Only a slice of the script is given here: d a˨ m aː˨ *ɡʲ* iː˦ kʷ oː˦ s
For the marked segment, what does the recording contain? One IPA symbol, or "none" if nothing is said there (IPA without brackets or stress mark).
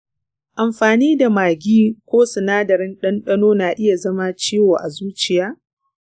ɡʲ